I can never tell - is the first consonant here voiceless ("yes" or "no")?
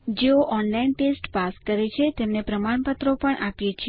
no